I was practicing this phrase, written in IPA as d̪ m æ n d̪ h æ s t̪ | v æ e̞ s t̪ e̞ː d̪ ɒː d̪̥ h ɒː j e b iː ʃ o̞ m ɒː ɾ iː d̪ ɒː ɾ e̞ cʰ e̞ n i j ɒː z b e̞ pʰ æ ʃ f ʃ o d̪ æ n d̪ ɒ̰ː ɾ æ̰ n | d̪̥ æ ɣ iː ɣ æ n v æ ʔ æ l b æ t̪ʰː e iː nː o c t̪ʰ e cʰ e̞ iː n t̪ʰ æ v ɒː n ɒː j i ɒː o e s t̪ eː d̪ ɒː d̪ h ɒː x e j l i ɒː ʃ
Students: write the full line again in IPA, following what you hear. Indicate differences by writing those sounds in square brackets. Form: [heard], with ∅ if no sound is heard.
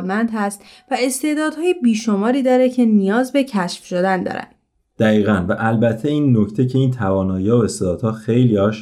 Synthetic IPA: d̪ m æ n d̪ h æ s t̪ | v æ e̞ s t̪ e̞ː d̪ ɒː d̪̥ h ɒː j e b iː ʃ o̞ m ɒː ɾ iː d̪ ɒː ɾ e̞ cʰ e̞ n i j ɒː z b e̞ [cʰ] æ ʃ f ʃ o d̪ æ n d̪ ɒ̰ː ɾ æ̰ n | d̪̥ æ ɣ iː ɣ æ n v æ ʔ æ l b æ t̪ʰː e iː nː o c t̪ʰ e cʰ e̞ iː n t̪ʰ æ v ɒː n ɒː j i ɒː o e s t̪ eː d̪ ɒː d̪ h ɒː x e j l i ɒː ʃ